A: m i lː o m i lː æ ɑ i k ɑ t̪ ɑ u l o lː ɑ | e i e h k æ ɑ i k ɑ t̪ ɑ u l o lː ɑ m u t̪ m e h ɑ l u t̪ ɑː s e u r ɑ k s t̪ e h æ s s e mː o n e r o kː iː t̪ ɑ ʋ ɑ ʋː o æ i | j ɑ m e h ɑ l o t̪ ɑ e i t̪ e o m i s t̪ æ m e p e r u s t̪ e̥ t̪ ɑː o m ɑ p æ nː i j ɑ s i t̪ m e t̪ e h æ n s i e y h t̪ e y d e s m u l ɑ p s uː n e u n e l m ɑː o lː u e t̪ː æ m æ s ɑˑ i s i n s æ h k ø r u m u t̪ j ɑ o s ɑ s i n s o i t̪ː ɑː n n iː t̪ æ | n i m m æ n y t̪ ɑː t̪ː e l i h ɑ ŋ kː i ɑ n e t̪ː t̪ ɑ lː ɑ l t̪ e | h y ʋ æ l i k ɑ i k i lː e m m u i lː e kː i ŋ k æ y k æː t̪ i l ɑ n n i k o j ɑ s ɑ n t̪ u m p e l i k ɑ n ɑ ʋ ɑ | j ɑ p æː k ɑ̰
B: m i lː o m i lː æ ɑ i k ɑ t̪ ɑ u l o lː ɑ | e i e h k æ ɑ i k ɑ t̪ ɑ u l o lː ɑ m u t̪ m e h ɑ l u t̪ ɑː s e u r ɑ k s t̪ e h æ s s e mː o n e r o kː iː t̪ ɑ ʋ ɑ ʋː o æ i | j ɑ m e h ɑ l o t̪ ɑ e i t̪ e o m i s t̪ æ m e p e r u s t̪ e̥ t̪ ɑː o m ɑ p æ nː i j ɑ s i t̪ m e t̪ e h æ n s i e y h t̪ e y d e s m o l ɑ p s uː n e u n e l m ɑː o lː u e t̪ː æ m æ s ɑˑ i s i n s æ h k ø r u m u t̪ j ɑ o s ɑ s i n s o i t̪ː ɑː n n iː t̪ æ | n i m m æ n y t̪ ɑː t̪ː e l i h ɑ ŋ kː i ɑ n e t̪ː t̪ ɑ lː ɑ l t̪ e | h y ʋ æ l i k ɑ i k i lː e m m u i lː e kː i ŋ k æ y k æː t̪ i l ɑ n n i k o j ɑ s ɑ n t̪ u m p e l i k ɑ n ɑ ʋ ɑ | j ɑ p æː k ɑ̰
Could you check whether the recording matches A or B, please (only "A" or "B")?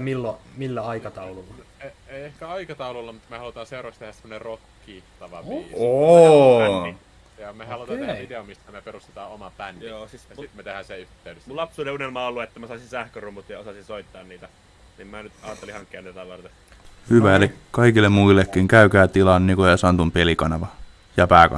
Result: A